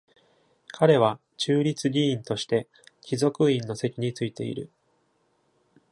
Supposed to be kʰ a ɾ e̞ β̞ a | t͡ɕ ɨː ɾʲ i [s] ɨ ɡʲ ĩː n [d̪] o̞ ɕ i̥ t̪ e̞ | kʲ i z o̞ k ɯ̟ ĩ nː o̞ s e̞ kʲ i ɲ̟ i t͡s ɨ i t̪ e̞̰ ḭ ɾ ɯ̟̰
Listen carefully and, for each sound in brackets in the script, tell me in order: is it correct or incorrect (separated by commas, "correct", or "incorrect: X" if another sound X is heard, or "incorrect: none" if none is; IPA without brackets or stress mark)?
incorrect: t͡s, incorrect: t̪